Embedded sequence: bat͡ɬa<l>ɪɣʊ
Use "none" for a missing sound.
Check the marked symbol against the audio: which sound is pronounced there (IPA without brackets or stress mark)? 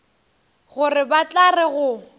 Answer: r